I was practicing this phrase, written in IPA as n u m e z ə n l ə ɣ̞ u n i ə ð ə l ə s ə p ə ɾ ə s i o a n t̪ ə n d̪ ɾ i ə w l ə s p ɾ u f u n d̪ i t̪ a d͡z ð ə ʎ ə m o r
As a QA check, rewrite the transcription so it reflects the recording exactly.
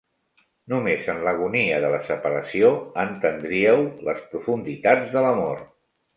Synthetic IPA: n u m e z ə n l ə ɣ̞ u n i ə ð ə l ə s ə p ə ɾ ə s i o ə n t̪ ə n d̪ ɾ i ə w l ə s p ɾ u f u n d̪ i t̪ a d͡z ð ə l ə m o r